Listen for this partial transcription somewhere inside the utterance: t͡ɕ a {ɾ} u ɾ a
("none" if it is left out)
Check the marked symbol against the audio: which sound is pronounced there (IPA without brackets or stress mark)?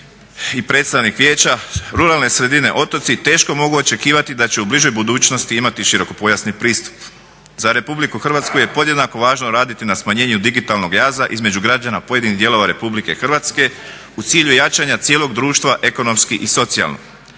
ɾ